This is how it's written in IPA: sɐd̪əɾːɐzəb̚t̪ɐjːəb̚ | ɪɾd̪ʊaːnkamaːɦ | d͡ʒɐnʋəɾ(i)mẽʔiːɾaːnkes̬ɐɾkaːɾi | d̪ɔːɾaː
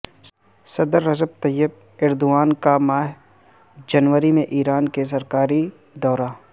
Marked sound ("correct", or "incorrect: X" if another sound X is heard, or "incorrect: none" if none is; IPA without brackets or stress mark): correct